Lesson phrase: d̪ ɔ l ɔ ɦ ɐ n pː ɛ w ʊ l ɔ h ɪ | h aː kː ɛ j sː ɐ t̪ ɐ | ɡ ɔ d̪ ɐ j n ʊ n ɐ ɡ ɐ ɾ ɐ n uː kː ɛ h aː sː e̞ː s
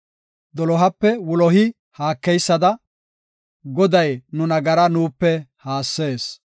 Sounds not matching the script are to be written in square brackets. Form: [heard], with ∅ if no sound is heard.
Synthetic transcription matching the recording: d̪ ɔ l ɔ ɦ ɐ [∅] pː ɛ w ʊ l ɔ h ɪ | h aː kː ɛ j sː ɐ [d̪] ɐ | ɡ ɔ d̪ ɐ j n ʊ n ɐ ɡ ɐ ɾ ɐ n uː [pː] ɛ h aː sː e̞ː s